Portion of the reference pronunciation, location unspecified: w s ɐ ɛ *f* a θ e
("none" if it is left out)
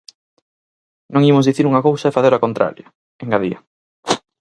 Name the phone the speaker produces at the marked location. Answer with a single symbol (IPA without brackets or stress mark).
f